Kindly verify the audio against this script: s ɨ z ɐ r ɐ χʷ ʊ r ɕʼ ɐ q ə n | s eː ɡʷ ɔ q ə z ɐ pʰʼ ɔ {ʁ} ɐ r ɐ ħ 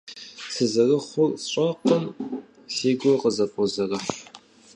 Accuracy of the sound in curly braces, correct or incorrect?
incorrect